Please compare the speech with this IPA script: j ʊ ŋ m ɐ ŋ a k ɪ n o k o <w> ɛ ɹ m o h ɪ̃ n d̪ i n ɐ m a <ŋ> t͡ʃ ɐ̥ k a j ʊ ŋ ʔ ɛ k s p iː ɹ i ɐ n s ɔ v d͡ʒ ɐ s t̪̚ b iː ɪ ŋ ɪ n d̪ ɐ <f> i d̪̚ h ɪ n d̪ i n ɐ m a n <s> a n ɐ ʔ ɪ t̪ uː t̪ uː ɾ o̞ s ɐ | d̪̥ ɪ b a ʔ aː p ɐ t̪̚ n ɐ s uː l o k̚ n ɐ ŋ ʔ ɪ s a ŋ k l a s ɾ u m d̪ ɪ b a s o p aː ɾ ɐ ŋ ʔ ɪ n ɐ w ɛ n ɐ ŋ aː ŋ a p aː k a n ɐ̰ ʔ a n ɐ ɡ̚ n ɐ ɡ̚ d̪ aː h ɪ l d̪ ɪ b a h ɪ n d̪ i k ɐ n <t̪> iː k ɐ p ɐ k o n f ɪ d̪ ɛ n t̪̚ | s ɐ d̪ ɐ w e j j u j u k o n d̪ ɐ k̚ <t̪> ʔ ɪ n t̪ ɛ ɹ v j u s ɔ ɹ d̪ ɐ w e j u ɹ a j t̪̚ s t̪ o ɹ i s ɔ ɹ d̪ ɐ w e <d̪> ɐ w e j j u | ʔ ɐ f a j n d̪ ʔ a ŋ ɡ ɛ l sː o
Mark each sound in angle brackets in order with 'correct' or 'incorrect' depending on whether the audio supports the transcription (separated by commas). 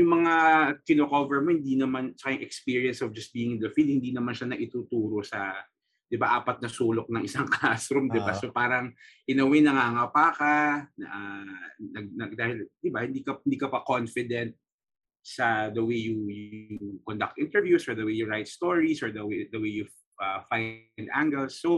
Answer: incorrect, incorrect, correct, incorrect, incorrect, correct, correct